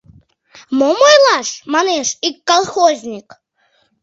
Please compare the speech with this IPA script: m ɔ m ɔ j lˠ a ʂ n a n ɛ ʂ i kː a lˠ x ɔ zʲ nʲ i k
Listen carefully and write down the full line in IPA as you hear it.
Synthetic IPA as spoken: m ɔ m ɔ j lˠ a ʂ m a n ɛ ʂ i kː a lˠ x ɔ zʲ nʲ i k